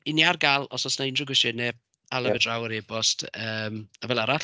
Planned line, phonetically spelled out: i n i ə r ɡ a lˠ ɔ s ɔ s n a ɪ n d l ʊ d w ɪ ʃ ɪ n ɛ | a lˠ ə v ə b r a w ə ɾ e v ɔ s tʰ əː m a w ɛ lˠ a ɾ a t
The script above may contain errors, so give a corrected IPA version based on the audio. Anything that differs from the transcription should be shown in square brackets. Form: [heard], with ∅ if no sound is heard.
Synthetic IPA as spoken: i n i [a] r ɡ a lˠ ɔ s ɔ s n a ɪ n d [r] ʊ [ɡ] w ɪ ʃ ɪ n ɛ | a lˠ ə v ə [d] r a w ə ɾ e [b] ɔ s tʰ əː m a [v] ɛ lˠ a ɾ a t